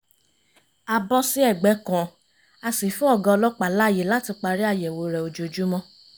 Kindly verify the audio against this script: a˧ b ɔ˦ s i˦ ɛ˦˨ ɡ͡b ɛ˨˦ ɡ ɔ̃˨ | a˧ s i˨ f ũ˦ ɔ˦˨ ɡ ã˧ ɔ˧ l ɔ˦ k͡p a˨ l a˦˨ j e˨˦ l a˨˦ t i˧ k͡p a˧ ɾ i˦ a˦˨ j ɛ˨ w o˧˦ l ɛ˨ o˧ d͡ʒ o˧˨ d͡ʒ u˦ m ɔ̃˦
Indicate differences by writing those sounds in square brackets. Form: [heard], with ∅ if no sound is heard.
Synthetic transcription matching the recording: a˧ b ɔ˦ s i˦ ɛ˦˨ ɡ͡b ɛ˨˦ [k] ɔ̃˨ | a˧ s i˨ f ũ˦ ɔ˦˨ ɡ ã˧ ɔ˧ l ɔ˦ k͡p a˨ l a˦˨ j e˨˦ l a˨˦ t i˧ k͡p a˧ ɾ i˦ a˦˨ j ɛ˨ w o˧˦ [ɾ] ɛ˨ o˧ d͡ʒ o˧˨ d͡ʒ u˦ m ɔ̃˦